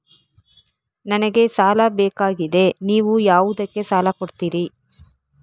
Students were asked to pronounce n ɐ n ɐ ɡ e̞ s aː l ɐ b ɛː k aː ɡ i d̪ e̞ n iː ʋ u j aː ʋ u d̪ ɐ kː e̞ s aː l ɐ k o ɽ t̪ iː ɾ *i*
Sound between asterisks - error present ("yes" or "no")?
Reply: no